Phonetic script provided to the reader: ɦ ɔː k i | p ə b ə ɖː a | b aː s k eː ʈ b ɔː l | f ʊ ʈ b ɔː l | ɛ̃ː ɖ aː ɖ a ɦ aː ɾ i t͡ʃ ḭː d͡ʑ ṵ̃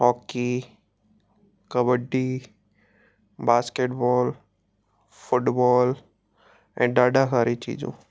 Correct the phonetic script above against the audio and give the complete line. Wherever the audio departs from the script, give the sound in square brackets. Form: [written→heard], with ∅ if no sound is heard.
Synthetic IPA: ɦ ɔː k i | [p→k] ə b ə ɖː [a→i] | b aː s k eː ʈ b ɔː l | f ʊ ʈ b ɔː l | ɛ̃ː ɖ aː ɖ a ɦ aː ɾ i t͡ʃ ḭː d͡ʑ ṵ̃